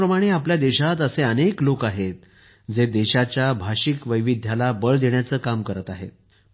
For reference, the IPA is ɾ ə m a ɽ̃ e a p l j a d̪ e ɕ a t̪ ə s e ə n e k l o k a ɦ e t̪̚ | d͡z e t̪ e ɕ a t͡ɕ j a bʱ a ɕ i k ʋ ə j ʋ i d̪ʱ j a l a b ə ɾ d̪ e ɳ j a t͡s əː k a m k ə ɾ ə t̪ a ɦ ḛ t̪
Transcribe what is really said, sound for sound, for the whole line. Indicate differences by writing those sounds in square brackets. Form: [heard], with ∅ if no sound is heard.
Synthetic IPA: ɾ ə m a ɽ̃ e a p l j a d̪ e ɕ a t̪ ə s e ə n e k l o k a ɦ e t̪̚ | d͡z e [d̪] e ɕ a t͡ɕ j a bʱ a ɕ i k ʋ ə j ʋ i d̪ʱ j a l a b ə [ɭ] d̪ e ɳ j a t͡s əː k a m k ə ɾ ə t̪ a ɦ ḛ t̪